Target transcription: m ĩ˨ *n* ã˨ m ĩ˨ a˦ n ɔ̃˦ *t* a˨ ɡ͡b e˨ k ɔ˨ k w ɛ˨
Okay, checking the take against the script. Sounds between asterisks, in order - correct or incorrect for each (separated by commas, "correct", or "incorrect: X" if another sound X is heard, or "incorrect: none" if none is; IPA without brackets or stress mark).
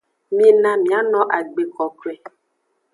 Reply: correct, incorrect: ʔ